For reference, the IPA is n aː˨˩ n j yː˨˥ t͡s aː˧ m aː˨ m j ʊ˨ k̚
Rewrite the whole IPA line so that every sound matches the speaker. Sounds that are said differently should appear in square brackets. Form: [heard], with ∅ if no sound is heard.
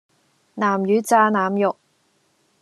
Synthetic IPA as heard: n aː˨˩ [m] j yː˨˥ t͡s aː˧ [n] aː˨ m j ʊ˨ k̚